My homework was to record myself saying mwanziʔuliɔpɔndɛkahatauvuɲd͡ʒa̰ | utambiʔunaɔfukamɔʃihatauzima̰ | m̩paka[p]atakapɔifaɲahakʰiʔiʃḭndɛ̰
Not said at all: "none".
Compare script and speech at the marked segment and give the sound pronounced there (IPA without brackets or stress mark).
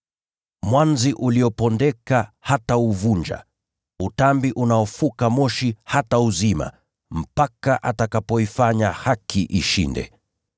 ʔ